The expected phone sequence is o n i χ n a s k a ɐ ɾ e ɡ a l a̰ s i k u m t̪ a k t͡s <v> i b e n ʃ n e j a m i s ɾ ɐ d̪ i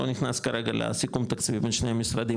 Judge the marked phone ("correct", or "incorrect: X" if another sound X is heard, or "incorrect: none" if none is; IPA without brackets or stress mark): correct